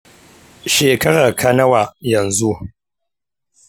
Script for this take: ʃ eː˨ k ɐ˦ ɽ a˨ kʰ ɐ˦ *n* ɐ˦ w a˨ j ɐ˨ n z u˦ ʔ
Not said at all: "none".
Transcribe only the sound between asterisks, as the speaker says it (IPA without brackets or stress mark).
n